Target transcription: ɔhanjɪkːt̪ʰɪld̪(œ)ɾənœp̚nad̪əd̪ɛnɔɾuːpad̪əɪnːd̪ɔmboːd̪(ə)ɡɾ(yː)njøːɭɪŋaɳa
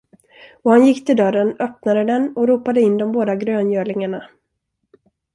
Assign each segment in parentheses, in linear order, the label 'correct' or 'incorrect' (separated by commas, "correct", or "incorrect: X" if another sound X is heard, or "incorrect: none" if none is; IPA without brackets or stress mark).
correct, incorrect: a, incorrect: øː